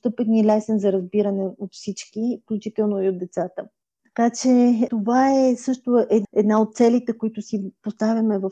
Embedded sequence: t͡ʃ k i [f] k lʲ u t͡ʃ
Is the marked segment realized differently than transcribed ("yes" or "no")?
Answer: no